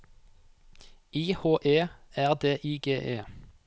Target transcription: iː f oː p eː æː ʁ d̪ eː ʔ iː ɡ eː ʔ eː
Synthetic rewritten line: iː h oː ʔ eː æː ʁ d̪ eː ʔ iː ɡ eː ʔ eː